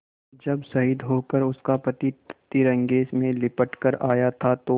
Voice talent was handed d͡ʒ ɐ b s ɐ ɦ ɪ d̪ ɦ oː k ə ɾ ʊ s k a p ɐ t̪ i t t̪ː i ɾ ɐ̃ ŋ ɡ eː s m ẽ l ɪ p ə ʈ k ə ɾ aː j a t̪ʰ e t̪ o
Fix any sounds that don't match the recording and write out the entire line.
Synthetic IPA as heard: d͡ʒ ɐ b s ɐ ɦ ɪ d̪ ɦ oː k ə ɾ ʊ s k a p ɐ t̪ i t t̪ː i ɾ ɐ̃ ŋ ɡ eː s m ẽ l ɪ p ə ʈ k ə ɾ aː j a t̪ʰ a t̪ o